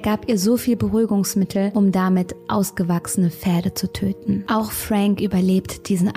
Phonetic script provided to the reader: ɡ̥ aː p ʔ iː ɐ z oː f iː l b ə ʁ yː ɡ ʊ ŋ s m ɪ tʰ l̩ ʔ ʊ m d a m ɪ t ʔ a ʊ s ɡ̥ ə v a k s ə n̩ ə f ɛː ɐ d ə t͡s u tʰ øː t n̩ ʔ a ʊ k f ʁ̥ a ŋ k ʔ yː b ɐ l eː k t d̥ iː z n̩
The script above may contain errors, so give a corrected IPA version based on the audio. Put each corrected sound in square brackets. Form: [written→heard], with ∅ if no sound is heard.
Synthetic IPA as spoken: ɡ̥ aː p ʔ iː ɐ z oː f iː l b ə ʁ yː ɡ ʊ ŋ s m ɪ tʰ l̩ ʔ ʊ m d a m ɪ t ʔ a ʊ s ɡ̥ ə v a k s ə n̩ ə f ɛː ɐ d ə t͡s u tʰ øː t n̩ ʔ a ʊ [k→x] f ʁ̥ a ŋ k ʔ yː b ɐ l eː [k→p] t d̥ iː z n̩